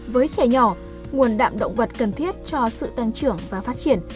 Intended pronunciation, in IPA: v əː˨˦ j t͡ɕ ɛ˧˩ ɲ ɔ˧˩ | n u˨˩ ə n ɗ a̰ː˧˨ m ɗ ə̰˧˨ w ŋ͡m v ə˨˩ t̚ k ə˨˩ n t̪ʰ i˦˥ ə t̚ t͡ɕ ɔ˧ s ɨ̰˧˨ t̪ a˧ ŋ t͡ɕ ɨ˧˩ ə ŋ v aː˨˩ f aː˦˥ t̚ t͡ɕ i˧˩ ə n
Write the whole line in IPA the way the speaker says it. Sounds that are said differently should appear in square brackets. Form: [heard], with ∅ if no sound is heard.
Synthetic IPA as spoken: v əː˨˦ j t͡ɕ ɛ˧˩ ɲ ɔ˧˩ | [ŋ] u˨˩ ə n ɗ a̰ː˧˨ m ɗ ə̰˧˨ w ŋ͡m v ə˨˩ t̚ k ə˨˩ n t̪ʰ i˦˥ ə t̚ t͡ɕ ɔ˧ s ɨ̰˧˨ t̪ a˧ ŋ t͡ɕ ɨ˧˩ ə ŋ v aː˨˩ f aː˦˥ t̚ t͡ɕ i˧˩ ə n